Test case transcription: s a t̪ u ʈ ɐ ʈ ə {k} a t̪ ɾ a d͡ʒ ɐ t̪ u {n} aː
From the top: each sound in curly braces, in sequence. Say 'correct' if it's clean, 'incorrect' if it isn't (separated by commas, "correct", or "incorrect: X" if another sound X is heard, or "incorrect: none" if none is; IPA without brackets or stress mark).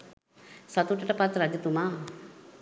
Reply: incorrect: p, incorrect: m